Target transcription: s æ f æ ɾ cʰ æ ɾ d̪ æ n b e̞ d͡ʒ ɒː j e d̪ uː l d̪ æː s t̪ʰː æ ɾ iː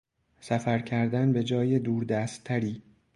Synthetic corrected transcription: s æ f æ ɾ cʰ æ ɾ d̪ æ n b e̞ d͡ʒ ɒː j e d̪ uː ɾ d̪ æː s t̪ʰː æ ɾ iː

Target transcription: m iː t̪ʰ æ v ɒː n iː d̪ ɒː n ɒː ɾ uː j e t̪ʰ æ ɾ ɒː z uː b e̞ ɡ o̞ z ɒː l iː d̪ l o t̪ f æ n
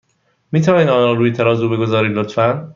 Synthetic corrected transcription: m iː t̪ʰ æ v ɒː n iː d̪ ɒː n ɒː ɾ uː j e t̪ʰ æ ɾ ɒː z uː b e̞ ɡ o̞ z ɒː ɾ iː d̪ l o t̪ f æ n

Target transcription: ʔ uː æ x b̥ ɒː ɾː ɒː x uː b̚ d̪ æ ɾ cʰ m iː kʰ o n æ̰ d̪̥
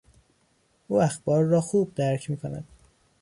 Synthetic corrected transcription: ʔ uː æ x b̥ ɒː ɾː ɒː x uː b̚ d̪ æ ɾ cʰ m iː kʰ o n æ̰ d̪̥

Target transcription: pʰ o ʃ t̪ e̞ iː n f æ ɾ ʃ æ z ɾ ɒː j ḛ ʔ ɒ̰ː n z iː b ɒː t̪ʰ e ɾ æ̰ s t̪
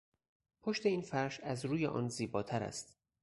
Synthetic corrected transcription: pʰ o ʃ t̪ e̞ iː n f æ ɾ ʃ æ z ɾ uː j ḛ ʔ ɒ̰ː n z iː b ɒː t̪ʰ æ ɾ æ̰ s t̪

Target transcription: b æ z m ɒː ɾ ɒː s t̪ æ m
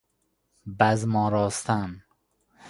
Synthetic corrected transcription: b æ z m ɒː ɾ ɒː s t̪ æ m

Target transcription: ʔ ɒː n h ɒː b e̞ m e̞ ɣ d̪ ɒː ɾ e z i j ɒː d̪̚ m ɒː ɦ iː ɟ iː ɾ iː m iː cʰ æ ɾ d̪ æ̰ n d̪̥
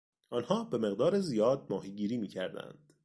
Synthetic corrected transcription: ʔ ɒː n h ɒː b e̞ m e̞ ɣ d̪ ɒː ɾ e z i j ɒː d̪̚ m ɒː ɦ iː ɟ iː ɾ iː m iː cʰ æ ɾ d̪ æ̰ n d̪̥

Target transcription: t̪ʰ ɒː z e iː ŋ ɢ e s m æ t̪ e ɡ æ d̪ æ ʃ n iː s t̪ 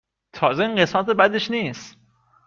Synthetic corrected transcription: t̪ʰ ɒː z e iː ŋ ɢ e s m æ t̪ e b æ d̪ e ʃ n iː s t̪

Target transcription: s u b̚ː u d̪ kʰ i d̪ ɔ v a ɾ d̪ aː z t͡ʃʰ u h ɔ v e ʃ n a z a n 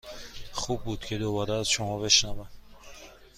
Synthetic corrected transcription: χ u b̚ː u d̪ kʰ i d̪ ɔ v a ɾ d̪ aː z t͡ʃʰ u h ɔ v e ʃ n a v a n

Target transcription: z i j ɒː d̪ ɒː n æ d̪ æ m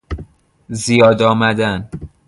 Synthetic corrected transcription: z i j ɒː d̪ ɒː m æ d̪ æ n

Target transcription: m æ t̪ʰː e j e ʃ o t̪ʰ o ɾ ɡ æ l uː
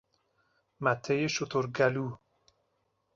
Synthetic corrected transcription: m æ t̪ʰː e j e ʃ o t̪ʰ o ɾ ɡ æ l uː

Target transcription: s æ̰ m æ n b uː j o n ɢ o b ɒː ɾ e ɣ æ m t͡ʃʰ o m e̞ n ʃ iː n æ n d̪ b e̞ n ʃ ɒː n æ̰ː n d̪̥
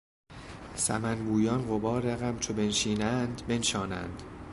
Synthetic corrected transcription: s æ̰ m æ n b uː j ɒ n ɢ o b ɒː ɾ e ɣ æ m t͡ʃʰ o b e̞ n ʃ iː n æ n d̪ b e̞ n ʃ ɒː n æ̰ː n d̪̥

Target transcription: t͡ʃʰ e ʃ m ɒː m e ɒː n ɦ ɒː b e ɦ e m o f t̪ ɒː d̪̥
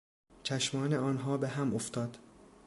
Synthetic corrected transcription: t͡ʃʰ æ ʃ m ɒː n e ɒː n ɦ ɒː b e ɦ æ m o f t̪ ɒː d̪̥

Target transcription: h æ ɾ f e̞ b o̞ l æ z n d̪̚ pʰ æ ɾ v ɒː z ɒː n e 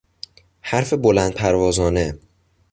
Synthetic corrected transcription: h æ ɾ f e̞ b o̞ l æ n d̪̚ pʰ æ ɾ v ɒː z ɒː n e

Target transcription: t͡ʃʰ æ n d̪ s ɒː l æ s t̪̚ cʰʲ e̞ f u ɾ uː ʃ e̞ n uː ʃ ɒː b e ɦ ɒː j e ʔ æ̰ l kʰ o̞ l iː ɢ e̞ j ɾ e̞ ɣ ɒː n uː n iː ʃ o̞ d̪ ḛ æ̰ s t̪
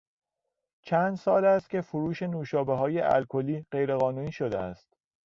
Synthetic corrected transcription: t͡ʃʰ æ n d̪ s ɒː l æ s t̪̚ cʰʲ e̞ f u ɾ uː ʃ e̞ n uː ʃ ɒː b e ɦ ɒː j e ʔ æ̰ l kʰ o̞ l iː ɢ e̞ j ɾ e̞ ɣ ɒː n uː n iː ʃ o̞ d̪ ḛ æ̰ s t̪

